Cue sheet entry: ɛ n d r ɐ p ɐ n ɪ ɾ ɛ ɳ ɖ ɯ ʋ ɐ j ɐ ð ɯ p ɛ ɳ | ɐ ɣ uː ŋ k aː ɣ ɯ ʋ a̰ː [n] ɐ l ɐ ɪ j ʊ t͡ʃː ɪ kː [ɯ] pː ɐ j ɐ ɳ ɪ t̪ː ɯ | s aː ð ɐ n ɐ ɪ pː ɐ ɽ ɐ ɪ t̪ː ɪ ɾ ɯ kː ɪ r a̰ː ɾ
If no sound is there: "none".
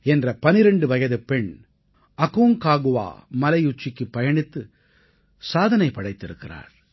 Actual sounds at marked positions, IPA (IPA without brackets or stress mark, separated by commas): m, ɯ